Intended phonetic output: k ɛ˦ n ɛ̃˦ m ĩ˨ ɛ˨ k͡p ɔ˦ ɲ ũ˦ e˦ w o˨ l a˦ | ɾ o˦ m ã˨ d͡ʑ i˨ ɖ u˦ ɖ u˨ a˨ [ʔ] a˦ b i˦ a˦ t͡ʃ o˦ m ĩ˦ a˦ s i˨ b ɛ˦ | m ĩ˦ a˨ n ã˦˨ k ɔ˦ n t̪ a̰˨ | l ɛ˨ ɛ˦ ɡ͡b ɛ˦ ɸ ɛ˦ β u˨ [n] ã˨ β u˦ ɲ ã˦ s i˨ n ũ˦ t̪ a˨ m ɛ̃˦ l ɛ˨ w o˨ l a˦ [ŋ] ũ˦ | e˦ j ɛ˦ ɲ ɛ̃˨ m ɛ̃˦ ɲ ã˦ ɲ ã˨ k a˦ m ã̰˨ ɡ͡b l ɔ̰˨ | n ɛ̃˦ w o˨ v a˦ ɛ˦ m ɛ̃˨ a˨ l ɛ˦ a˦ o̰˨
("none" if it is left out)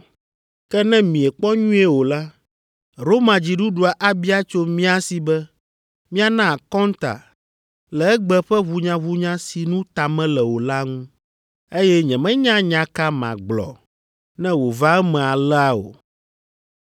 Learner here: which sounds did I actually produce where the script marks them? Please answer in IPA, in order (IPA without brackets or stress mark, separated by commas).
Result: ʔ, ɲ, ŋ